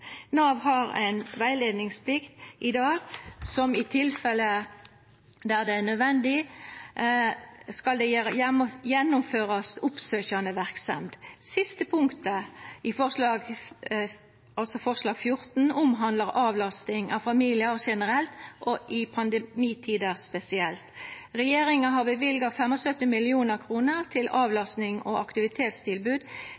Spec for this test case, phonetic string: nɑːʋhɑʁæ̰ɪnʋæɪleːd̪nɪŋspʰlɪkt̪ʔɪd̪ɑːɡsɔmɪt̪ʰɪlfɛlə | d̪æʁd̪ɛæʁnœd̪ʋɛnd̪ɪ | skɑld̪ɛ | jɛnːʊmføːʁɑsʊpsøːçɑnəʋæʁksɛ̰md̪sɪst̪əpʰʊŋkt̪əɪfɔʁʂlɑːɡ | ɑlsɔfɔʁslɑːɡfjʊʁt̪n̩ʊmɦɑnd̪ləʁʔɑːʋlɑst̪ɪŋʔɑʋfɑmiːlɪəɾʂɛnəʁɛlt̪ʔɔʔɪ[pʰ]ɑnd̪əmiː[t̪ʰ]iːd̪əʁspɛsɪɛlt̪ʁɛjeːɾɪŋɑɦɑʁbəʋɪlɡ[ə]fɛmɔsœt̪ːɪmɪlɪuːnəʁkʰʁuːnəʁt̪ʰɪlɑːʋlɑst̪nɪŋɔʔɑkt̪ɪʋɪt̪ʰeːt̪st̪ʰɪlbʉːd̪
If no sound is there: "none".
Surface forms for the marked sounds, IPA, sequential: pʰ, t̪ʰ, ɑ

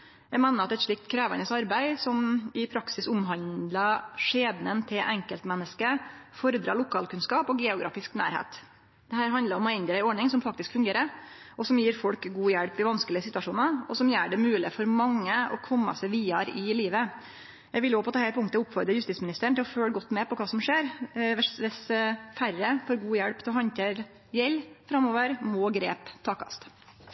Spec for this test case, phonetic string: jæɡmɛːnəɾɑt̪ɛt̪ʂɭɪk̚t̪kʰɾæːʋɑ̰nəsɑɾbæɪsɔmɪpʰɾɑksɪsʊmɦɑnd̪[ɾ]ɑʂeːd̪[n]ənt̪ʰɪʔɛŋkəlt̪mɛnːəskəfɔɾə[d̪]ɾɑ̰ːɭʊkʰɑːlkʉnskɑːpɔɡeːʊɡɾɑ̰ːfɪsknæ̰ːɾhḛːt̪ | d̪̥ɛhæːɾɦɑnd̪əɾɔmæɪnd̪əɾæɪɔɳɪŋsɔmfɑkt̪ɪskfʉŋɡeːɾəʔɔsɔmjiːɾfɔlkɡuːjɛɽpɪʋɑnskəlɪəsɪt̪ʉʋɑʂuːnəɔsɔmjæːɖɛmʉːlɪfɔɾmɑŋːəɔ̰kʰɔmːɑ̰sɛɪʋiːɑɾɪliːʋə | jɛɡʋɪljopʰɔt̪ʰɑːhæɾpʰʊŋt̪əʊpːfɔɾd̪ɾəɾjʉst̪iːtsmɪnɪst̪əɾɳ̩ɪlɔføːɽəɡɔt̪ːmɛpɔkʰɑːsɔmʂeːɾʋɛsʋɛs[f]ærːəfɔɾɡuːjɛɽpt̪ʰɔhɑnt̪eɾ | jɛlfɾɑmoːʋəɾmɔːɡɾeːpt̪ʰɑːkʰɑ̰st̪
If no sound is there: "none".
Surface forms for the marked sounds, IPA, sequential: l, n, d̪, f

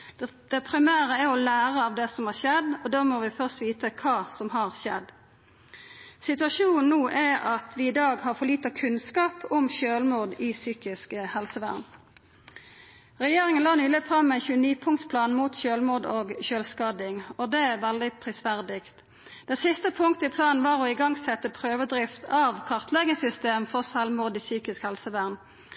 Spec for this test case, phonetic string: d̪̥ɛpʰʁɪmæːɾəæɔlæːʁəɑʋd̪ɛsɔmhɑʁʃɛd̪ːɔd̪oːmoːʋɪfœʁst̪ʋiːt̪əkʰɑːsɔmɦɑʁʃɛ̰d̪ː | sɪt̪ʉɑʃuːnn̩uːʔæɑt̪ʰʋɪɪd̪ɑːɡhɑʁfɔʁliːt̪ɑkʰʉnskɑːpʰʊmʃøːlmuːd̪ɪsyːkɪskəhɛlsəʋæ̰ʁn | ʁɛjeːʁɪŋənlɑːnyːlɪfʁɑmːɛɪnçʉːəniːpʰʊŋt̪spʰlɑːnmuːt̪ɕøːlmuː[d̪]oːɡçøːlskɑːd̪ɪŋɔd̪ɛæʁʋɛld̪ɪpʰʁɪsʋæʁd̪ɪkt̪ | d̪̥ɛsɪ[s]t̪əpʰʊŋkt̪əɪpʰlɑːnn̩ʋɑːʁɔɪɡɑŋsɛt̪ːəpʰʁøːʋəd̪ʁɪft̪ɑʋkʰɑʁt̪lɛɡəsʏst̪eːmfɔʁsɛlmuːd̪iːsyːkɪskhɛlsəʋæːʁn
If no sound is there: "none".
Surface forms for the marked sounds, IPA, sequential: d̪, s

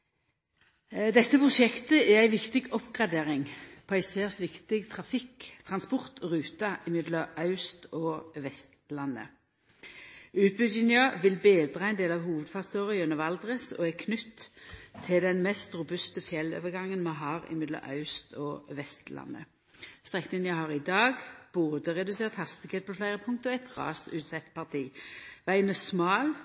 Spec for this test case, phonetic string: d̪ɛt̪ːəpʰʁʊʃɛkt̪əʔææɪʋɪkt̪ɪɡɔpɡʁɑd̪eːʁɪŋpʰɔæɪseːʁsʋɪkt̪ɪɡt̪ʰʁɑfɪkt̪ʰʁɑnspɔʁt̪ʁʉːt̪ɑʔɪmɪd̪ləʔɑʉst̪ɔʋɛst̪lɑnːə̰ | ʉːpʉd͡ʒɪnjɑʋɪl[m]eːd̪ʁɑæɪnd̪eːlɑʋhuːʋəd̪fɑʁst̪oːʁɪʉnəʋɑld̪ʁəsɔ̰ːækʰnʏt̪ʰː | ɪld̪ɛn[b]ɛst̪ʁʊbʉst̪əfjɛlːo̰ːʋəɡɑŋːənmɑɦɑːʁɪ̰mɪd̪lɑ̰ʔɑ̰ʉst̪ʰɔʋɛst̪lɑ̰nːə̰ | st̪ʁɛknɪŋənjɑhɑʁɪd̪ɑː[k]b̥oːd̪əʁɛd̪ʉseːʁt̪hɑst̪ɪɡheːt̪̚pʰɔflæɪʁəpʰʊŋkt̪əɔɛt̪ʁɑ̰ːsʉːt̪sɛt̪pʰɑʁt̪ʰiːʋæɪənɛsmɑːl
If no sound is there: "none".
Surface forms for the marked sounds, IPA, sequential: b, m, ɡ

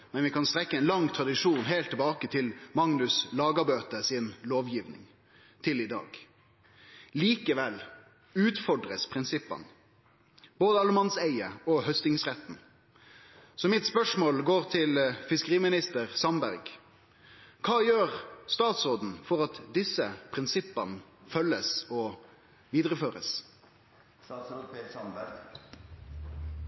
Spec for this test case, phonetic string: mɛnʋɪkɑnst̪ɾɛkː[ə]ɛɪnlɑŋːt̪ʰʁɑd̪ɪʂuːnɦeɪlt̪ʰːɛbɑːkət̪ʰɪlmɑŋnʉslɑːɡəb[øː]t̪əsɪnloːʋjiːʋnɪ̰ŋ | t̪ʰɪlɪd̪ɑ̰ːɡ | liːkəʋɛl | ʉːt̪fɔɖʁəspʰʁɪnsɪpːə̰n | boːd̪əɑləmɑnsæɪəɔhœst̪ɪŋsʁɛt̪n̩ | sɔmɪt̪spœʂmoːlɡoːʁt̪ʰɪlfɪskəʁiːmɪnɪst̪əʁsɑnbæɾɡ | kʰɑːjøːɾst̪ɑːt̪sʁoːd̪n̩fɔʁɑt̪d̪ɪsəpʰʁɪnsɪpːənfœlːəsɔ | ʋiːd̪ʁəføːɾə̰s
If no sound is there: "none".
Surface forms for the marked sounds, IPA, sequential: ə, øː

